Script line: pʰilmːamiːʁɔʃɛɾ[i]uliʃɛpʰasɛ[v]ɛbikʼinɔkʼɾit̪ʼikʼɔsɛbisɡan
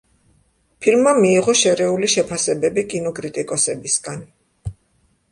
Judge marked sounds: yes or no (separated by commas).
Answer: no, no